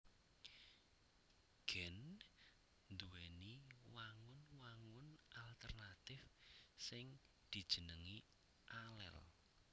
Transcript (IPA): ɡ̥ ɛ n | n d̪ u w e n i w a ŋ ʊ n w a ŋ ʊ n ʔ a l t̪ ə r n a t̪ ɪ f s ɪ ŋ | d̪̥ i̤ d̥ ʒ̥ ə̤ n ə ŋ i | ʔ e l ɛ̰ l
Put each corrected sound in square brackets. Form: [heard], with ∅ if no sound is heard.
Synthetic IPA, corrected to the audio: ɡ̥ ɛ n | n d̪ u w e n i w a ŋ ʊ n w a ŋ ʊ n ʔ a l t̪ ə r n a t̪ ɪ f s ɪ ŋ | d̪̥ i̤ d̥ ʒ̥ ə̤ n ə ŋ i | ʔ [a] l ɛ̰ l